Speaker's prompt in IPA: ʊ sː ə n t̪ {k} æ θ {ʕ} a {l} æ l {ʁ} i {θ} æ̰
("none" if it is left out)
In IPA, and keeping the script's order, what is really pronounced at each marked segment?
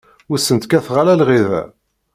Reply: k, ʁ, l, ʁ, ð

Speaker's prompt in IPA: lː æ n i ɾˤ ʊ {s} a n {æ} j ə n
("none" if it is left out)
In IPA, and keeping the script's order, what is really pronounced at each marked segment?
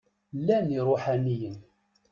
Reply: ħ, i

